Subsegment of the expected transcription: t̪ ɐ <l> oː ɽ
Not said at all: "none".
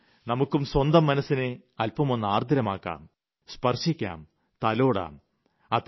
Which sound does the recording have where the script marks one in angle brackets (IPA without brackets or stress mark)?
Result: l